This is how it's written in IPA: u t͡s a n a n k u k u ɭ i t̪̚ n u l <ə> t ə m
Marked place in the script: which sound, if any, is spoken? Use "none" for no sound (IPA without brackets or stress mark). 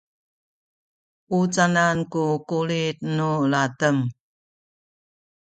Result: a